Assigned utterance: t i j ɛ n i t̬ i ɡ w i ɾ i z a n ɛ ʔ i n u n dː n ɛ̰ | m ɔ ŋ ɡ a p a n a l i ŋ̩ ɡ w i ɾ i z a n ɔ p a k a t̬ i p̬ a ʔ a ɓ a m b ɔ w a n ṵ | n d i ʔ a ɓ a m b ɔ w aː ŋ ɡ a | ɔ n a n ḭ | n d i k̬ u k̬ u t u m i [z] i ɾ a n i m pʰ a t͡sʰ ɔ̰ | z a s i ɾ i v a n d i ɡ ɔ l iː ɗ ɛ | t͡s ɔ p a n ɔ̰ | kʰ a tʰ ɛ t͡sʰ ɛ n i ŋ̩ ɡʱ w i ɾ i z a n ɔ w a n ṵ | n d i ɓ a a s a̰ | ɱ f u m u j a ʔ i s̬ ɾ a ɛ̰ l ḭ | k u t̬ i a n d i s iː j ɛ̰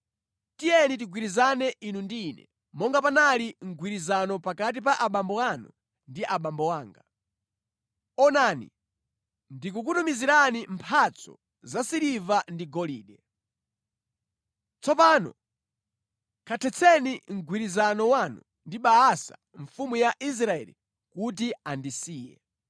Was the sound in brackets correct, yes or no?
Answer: yes